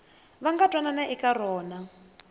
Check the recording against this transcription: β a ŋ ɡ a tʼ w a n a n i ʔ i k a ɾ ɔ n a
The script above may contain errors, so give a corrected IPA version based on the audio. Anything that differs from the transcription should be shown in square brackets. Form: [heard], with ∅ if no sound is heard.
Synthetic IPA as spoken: β a ŋ ɡ a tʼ w a n a n [a] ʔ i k a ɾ [ɔː] n a